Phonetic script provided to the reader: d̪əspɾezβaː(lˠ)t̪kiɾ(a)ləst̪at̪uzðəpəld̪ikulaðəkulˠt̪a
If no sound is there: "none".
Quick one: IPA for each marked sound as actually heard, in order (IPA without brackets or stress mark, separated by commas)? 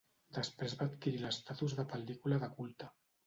none, i